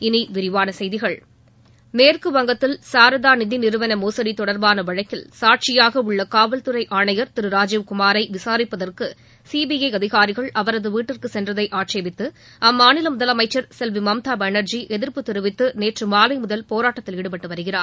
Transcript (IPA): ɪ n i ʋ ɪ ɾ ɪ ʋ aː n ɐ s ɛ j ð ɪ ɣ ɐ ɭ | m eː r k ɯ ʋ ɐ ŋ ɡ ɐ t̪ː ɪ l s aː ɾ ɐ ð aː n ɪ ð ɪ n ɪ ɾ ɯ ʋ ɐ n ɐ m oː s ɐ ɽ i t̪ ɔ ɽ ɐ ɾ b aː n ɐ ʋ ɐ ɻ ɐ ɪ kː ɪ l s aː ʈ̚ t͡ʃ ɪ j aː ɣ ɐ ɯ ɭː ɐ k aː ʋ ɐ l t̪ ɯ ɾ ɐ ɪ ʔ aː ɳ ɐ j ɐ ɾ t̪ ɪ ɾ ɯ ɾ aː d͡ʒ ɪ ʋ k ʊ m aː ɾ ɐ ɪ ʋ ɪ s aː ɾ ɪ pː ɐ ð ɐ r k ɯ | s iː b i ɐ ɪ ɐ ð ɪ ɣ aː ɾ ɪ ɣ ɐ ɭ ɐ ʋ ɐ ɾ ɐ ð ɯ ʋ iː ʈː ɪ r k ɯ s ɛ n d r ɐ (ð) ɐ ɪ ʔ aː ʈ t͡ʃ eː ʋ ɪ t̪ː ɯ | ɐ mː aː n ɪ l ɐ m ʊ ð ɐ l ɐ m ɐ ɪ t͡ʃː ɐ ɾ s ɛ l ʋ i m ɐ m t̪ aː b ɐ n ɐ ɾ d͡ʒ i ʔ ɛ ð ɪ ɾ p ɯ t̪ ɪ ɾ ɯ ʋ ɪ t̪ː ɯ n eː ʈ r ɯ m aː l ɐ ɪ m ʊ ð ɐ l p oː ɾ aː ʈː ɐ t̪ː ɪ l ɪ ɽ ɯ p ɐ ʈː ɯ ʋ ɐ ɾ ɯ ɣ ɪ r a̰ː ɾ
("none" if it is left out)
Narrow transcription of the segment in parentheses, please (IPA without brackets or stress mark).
ð